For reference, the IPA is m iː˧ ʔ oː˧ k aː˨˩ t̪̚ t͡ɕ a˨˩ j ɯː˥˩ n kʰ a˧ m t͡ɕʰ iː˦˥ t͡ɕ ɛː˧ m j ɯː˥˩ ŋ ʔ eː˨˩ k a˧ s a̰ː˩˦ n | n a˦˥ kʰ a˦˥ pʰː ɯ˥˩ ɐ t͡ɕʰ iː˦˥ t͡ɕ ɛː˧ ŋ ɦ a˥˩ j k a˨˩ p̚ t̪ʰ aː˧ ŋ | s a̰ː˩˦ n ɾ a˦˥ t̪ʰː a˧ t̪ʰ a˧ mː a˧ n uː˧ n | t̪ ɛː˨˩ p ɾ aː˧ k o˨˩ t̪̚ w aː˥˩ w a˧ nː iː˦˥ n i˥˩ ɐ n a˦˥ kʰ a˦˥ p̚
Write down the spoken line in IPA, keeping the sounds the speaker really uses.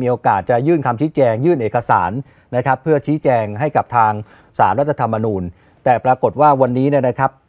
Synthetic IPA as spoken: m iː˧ ʔ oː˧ k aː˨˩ t̪̚ t͡ɕ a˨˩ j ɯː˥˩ n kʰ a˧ m t͡ɕʰ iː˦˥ t͡ɕ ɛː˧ ŋ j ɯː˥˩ n ʔ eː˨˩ k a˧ s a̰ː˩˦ n | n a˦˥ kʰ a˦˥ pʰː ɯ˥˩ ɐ t͡ɕʰ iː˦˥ t͡ɕ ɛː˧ ŋ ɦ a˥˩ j k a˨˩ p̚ t̪ʰ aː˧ ŋ | s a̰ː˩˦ n ɾ a˦˥ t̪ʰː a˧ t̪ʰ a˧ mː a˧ n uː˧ n | t̪ ɛː˨˩ p ɾ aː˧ k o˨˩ t̪̚ w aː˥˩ w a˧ nː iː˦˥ n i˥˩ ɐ n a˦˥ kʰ a˦˥ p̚